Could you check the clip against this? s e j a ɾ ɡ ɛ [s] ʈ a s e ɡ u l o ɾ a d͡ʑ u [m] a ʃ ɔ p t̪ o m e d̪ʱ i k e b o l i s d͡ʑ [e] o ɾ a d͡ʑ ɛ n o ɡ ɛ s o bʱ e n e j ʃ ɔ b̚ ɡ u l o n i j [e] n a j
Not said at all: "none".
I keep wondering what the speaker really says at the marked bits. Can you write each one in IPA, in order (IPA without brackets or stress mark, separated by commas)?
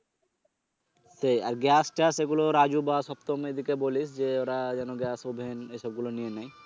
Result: s, b, e, e